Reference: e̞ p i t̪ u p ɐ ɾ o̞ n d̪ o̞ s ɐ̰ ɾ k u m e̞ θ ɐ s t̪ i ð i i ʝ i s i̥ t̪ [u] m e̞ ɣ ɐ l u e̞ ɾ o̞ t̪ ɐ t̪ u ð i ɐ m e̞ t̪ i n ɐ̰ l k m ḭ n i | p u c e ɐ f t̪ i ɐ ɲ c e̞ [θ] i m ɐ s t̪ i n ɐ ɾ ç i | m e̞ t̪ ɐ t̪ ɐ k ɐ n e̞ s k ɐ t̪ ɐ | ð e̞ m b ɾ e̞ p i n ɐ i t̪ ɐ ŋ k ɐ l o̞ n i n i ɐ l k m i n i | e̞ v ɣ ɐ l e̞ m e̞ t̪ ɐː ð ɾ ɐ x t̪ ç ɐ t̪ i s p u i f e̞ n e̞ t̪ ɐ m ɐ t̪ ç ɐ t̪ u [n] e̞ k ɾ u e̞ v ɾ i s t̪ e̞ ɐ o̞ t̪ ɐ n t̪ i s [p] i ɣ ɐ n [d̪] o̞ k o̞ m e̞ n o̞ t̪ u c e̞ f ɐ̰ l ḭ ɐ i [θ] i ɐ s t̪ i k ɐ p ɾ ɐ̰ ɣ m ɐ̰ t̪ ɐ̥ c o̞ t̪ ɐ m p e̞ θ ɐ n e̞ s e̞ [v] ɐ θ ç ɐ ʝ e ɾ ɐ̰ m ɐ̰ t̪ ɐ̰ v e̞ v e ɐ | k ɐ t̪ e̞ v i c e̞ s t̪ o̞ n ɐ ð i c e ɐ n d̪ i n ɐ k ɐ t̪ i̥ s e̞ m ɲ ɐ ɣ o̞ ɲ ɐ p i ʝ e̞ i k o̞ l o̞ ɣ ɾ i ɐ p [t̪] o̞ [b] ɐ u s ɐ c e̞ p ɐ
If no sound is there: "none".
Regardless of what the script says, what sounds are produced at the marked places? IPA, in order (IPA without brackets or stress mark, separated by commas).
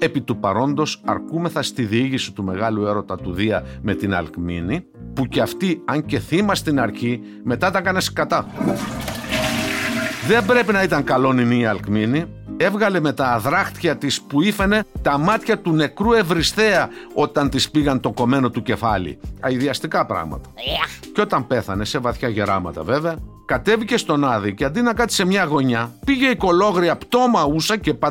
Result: u, θ, n, p, t̪, ð, v, t̪, m